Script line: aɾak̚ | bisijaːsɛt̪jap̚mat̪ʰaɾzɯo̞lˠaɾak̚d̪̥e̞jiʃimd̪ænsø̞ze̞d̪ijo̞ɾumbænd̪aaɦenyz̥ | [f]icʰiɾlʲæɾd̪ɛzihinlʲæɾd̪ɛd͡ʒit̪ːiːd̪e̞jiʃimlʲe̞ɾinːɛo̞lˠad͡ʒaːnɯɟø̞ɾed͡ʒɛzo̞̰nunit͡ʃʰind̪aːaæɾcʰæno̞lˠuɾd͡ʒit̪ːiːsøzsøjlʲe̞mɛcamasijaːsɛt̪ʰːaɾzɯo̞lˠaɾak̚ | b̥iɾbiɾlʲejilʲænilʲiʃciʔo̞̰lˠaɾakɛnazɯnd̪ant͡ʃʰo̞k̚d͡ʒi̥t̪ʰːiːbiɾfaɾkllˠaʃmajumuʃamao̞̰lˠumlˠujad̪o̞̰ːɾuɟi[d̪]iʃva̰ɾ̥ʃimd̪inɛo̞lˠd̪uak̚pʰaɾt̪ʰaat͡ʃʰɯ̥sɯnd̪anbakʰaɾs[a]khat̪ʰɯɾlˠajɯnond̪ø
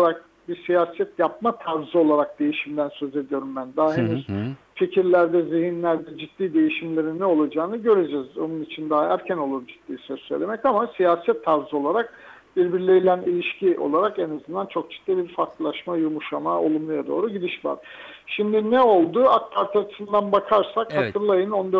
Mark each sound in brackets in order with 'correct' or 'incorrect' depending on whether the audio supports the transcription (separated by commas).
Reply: correct, correct, correct